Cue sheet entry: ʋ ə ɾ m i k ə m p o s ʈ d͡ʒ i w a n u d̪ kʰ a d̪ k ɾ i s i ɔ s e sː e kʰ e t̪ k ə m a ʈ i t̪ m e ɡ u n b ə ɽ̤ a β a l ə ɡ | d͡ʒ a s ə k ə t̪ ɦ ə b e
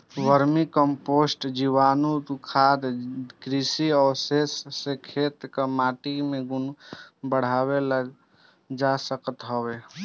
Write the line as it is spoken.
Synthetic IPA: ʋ ə ɾ m i k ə m p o s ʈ d͡ʒ i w a n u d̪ kʰ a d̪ k ɾ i s i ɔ s e sː e kʰ e t̪ k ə m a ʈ i m e ɡ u n b ə ɽ̤ a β e l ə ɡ | d͡ʒ a s ə k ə t̪ ɦ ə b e